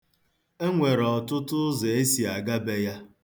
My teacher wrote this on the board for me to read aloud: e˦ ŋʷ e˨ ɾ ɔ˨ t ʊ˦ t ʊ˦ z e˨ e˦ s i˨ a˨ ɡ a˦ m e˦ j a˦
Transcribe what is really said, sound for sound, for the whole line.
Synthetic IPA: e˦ ŋʷ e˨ ɾ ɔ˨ t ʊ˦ t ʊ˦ z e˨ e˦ s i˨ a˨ ɡ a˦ b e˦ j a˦